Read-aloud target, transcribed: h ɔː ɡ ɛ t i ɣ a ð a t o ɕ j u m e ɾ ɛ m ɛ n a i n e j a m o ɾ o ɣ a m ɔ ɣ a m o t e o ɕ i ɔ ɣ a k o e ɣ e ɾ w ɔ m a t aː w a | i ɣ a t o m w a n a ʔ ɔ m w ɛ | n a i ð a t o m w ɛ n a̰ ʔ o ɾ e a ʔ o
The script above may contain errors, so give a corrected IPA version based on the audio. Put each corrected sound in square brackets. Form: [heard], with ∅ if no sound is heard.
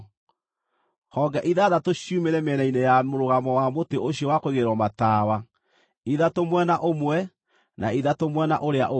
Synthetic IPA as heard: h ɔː ɡ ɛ [ʔ] i [ð] a ð a t o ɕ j u m e ɾ ɛ m ɛ n a i n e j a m o ɾ o ɣ a m ɔ [w] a m o t e o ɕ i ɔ [w] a k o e ɣ e ɾ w ɔ m a t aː w a | i [ð] a t o m w [ɛ] n a ʔ [o] m w ɛ | n a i ð a t o m w ɛ n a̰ ʔ o ɾ e a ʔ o

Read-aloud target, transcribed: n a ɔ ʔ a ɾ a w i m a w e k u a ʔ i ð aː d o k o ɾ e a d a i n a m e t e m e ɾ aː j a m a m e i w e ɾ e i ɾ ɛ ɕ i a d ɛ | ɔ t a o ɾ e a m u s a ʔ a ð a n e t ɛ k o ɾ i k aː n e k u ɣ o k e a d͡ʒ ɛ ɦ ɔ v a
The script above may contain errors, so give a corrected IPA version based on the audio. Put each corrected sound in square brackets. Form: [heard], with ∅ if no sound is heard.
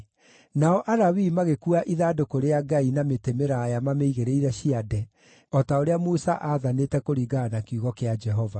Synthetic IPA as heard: n a ɔ ʔ a ɾ a w i m a [ɣ] e k u a ʔ i ð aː d o k o ɾ e a [ɡ] a i n a m e t e m e ɾ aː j a m a m e i [ɣ] e ɾ e i ɾ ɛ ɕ i a d ɛ | ɔ t a o ɾ e a m u s a ʔ a ð a n e t ɛ k o ɾ i [ɡ] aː n [a] k u ɣ [ɔ] k e a d͡ʒ ɛ ɦ ɔ v a

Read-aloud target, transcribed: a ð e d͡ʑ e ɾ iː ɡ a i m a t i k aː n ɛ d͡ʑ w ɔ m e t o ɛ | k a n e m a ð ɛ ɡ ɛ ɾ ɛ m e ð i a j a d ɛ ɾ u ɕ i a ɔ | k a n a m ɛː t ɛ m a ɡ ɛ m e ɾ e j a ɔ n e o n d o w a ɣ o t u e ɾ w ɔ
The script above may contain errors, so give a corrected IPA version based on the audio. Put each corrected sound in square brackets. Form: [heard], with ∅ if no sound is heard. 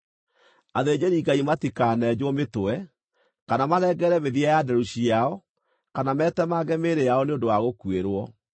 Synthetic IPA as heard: a ð e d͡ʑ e ɾ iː ɡ a i m a t i k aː n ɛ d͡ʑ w ɔ m e t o ɛ | k a n [a] m a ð ɛ ɡ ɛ ɾ ɛ m e ð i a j a d ɛ ɾ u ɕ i a ɔ | k a n a m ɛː t ɛ m a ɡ ɛ m e ɾ e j a ɔ n e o n d o w a ɣ o [k] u e ɾ w ɔ

